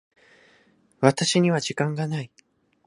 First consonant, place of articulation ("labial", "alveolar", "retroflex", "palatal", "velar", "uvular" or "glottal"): labial